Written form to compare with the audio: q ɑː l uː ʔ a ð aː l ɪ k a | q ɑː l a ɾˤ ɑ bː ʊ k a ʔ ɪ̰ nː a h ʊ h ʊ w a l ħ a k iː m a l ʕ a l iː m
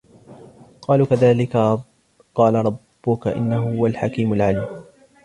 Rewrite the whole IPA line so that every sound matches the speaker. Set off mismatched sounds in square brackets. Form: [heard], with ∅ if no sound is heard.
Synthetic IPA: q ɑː l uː [k] a ð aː l ɪ k a | q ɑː l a ɾˤ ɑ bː ʊ k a ʔ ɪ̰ nː a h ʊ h ʊ w a l ħ a k iː m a l ʕ a l iː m